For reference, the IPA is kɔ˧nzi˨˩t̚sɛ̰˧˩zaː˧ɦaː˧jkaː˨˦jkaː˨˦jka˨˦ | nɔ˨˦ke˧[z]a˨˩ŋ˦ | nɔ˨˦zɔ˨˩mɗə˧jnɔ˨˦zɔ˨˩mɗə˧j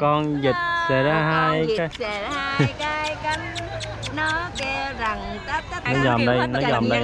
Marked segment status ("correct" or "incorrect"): correct